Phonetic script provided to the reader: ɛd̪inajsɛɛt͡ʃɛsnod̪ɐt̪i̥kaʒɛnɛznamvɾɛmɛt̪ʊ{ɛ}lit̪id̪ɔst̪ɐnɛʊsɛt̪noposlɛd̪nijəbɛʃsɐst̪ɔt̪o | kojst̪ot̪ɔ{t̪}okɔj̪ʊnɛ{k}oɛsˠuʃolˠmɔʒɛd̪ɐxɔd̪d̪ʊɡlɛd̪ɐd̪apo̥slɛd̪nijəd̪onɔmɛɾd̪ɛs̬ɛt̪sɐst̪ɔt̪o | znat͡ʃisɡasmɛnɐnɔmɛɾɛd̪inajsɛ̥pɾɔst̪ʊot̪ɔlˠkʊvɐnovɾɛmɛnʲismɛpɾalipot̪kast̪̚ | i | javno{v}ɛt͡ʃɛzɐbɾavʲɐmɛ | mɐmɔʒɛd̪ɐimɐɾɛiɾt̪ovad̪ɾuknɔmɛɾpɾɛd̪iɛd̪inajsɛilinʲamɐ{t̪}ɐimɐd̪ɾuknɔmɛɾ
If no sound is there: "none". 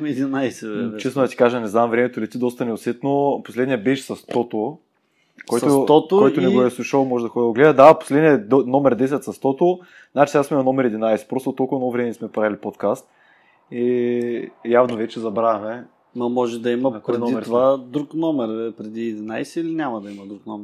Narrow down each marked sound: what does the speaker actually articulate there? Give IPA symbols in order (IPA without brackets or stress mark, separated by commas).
i, t̪, ɡ, v, d̪